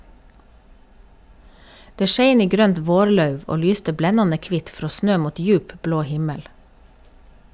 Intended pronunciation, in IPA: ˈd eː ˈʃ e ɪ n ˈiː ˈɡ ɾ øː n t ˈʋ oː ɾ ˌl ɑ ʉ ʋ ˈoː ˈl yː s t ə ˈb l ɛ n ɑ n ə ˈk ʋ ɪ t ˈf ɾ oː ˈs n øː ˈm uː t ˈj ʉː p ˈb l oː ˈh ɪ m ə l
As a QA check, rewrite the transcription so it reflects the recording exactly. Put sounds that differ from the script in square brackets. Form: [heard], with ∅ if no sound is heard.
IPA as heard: ˈd eː ˈʃ e ɪ n ˈiː ˈɡ ɾ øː n t ˈʋ oː ɾ ˌl ɑ ʉ ʋ ˈoː ˈl yː s t ə ˈb l ɛ n ɑ n ə ˈk ʋ ɪ t ˈf ɾ oː ˈs n øː ˈm uː t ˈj ʉː p ˈb l oː ˈh ɪ m ə l